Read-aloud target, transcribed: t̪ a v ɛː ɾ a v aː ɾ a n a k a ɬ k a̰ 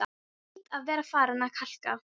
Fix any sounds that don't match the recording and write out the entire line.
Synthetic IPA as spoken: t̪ a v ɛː ɾ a f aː ɾ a n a kʰ a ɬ k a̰

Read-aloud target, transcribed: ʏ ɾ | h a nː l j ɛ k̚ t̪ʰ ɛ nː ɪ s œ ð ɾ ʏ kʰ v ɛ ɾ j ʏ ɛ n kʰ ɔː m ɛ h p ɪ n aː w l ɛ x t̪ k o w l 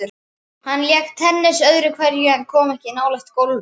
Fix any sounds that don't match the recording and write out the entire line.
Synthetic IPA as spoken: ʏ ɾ | h a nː l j ɛ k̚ t̪ʰ ɛ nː ɪ s œ ð ɾ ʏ kʰ v ɛ ɾ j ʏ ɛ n kʰ ɔː m ɛ h c ɪ n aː w l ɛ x t̪ k o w l

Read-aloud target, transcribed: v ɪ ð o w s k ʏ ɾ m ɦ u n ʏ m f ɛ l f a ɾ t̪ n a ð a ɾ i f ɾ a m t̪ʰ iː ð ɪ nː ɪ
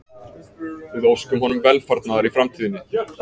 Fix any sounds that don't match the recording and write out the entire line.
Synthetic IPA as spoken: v ɪ ð o w s k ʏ m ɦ ɔ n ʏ m v ɛ l f a ɾ t̪ n a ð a ɾ i f ɾ a m t̪ʰ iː ð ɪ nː ɪ

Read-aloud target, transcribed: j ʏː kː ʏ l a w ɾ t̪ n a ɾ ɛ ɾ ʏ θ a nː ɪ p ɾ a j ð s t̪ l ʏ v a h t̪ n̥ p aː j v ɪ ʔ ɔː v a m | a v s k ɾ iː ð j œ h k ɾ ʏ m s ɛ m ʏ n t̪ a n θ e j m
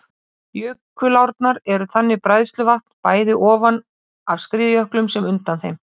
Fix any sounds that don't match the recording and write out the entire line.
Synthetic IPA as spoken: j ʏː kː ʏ l a w ɾ t̪ n a ɾ ɛ ɾ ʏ θ a nː ɪ p ɾ a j ð s t̪ l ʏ v a h t̪ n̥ p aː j ð ɪ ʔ ɔː v a n | a v s k ɾ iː ð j œ h k l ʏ m s ɛ m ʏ n t̪ a n θ e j m

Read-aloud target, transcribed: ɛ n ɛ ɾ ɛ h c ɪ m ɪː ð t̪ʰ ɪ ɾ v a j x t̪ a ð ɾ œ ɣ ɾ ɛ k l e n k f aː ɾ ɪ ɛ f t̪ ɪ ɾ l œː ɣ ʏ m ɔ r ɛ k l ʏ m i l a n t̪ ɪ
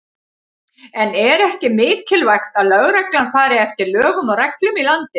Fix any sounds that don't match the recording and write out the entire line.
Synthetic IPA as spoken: ɛ n ɛ ɾ ɛ h c ɪ m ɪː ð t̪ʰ ɪ l v a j x t̪ a ð l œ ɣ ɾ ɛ k l a n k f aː ɾ ɪ ɛ f t̪ ɪ ɾ l œː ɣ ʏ m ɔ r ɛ k l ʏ m i l a n t̪ ɪ

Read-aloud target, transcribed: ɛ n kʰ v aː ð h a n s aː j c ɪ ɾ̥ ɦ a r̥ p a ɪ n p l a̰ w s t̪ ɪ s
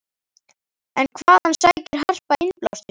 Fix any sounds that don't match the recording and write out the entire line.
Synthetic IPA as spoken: ɛ n kʰ v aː ð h a n s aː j c ɪ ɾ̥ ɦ a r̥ p a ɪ n p l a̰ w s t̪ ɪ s

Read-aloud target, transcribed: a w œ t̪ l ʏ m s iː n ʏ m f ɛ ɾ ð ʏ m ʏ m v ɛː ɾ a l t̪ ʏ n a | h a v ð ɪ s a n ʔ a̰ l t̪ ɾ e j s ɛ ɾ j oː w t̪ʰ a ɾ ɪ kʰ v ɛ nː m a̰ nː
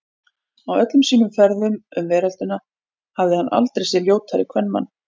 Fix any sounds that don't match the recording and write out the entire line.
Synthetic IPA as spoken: a w œ t̪ l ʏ m s iː n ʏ m f ɛ ɾ ð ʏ m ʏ m v ɛː ɾ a l t̪ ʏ n a | h a v ð ɪ h a n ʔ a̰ l t̪ ɾ e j s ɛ l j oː w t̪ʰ a ɾ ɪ kʰ v ɛ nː m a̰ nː

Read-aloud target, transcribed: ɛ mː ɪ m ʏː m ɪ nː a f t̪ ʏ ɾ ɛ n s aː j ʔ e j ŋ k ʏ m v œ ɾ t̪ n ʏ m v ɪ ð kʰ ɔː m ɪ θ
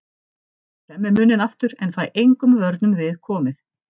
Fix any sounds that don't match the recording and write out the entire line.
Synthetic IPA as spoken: ɛ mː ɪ m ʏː n ɪ n a f t̪ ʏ ɾ ɛ n f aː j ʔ e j ŋ k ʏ m v œ ɾ t̪ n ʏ m v ɪ ð kʰ ɔː m ɪ θ

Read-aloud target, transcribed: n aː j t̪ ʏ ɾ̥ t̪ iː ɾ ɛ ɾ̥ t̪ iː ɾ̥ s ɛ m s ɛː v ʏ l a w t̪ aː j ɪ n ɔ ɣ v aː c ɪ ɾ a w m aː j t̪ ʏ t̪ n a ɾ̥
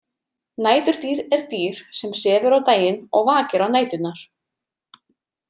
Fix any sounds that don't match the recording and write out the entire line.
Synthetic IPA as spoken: n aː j t̪ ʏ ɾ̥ t̪ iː ɾ ɛ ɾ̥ t̪ iː ɾ̥ s ɛ m s ɛː v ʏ ɾ a w t̪ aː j ɪ n ɔ ɣ v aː c ɪ ɾ a w n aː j t̪ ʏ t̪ n a ɾ̥

